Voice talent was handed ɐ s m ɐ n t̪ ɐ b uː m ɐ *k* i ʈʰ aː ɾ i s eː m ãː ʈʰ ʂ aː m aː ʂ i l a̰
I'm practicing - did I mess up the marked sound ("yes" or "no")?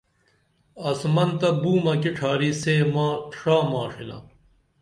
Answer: no